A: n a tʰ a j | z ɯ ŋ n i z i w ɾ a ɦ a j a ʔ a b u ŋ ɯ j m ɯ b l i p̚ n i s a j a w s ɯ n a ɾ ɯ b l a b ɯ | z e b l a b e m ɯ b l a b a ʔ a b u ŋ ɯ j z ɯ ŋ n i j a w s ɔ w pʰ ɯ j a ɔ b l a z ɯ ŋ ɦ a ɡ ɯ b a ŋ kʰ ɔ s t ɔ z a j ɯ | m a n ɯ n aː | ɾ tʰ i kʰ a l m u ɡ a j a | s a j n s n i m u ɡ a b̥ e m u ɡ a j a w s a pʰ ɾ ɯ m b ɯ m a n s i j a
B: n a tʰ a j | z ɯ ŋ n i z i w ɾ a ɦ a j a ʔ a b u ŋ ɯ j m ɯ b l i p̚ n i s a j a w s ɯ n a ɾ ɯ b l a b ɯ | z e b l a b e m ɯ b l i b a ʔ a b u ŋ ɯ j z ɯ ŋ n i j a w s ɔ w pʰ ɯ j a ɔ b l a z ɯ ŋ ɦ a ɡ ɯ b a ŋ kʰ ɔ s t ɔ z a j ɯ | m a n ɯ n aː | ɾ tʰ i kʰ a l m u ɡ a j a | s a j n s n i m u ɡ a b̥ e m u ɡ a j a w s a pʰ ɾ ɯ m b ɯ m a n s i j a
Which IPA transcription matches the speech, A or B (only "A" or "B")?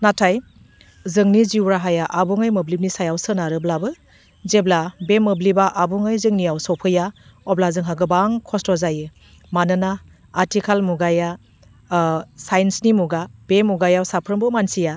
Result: B